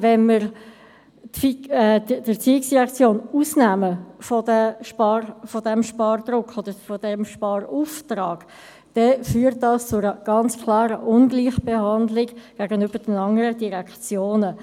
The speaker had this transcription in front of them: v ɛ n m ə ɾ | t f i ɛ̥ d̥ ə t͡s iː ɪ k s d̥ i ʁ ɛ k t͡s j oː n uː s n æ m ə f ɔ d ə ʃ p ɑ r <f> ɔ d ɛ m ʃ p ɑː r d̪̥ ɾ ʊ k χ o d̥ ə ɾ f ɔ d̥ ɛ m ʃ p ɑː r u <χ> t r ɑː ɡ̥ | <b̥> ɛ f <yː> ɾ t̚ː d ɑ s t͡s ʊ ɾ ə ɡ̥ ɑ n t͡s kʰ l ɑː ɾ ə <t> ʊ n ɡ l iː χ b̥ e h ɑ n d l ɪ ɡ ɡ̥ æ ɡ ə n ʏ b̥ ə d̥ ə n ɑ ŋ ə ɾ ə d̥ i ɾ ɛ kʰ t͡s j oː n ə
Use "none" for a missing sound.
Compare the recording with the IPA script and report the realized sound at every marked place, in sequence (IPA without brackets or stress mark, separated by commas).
f, f, d̥, yː, ʔ